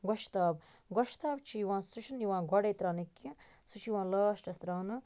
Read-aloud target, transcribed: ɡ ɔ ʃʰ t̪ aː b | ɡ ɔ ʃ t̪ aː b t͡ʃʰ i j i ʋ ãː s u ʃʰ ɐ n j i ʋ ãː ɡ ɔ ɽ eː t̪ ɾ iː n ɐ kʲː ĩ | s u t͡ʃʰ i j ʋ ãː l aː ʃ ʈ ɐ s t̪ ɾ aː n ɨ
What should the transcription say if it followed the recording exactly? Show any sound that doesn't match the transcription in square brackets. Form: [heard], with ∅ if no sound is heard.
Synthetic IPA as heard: ɡ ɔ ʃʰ t̪ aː b | ɡ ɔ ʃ t̪ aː b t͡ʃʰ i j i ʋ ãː s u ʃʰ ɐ n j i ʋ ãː ɡ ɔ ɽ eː t̪ ɾ [aː] n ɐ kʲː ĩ | s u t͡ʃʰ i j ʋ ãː l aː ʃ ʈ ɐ s t̪ ɾ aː n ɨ

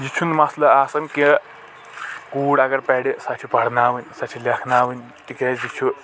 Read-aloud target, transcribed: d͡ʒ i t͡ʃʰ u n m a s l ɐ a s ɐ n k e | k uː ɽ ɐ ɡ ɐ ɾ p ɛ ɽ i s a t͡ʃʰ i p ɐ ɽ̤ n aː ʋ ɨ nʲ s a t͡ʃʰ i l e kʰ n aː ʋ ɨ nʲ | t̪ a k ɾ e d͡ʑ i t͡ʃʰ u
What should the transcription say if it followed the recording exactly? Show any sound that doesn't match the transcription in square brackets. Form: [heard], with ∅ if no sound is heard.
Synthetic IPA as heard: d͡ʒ i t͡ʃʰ u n m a s l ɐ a s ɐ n k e | k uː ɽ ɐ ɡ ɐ ɾ p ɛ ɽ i s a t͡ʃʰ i p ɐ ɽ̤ n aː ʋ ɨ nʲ s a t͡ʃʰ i l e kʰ n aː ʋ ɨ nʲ | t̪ [i] k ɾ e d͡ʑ i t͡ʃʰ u

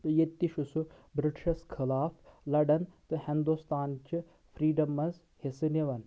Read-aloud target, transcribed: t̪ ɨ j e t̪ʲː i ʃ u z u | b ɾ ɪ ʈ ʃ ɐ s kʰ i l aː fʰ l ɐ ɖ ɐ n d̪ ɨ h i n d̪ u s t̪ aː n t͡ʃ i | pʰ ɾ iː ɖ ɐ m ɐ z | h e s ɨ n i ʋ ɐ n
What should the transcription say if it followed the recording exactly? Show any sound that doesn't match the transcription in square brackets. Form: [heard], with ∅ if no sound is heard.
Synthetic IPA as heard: t̪ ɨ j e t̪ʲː i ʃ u [s] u | b ɾ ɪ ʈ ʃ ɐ s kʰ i l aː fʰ l ɐ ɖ ɐ n [t̪] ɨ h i n d̪ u s t̪ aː n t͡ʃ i | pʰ ɾ iː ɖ ɐ m ɐ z | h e s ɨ n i ʋ ɐ n

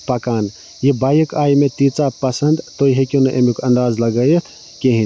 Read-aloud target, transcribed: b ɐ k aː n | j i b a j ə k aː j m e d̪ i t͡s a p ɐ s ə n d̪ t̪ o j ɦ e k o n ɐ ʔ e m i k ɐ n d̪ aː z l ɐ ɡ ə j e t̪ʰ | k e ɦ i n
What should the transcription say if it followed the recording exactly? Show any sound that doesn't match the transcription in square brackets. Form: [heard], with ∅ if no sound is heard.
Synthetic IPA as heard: [p] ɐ k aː n | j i b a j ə k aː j m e [t̪] i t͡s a p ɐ s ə n d̪ t̪ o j ɦ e k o n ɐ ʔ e m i k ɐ n d̪ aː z l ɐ ɡ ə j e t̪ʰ | k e ɦ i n

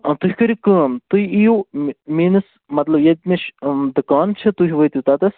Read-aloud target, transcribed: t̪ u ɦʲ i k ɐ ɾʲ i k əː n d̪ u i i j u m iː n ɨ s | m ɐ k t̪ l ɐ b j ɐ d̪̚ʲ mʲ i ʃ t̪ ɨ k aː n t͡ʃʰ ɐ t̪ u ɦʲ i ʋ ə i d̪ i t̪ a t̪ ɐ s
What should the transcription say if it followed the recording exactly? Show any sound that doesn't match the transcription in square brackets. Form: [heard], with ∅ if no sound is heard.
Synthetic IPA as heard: t̪ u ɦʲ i k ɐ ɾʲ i k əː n [t̪] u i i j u m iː n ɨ s | m ɐ [∅] t̪ l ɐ b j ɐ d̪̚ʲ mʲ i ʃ [d̪] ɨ k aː n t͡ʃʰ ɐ t̪ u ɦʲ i ʋ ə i [t̪] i t̪ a t̪ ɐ s

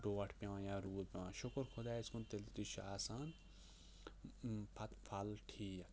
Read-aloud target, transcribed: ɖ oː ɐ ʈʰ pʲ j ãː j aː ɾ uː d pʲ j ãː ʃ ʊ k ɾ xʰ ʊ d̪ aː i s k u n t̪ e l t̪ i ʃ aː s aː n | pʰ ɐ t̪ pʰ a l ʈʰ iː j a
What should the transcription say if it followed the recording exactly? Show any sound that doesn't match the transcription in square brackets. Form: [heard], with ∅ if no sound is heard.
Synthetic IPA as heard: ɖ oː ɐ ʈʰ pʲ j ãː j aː ɾ uː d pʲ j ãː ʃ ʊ k ɾ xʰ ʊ d̪ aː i s k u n t̪ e l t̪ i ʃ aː s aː n | pʰ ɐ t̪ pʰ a l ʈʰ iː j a

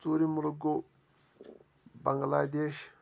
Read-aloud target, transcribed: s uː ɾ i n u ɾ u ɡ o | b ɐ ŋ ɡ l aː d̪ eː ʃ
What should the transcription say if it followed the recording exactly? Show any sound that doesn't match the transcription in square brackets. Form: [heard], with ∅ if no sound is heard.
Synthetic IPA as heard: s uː ɾ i [m] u [l] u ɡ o | b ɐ ŋ ɡ l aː d̪ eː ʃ

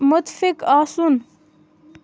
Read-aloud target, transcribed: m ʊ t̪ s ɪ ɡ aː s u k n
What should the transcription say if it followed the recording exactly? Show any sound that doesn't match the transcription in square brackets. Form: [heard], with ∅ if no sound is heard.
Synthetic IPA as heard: m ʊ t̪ [f] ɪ [k] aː s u [∅] n

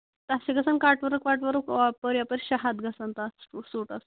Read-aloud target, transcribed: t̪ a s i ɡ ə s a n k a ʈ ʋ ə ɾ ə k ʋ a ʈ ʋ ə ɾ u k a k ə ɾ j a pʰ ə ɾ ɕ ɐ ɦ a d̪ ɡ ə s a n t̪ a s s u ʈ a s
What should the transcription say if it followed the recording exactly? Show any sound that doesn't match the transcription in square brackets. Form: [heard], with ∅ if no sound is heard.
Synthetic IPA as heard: t̪ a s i ɡ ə s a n k a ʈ ʋ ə ɾ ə k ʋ a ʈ ʋ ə ɾ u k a [p] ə ɾ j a [p] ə ɾ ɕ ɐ ɦ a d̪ ɡ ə s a n t̪ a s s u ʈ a s

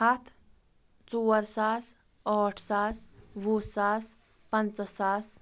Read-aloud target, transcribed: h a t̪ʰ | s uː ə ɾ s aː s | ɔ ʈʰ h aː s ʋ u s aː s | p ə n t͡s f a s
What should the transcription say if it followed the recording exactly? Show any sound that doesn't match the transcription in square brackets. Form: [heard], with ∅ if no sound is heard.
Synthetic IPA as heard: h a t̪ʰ | [t͡s] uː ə ɾ s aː s | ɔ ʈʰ [s] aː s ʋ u s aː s | p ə n t͡s [s] a s

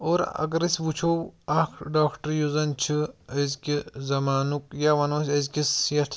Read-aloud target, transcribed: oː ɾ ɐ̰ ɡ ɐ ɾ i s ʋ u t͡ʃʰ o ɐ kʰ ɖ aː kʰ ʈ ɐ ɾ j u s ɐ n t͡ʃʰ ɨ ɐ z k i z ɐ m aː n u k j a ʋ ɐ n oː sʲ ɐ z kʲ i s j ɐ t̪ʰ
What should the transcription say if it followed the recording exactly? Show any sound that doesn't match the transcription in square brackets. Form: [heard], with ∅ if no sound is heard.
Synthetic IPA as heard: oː ɾ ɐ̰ ɡ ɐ ɾ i s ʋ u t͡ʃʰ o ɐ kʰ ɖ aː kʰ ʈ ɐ ɾ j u [z] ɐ n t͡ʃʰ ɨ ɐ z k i z ɐ m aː n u k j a ʋ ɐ n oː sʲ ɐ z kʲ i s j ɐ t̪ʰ

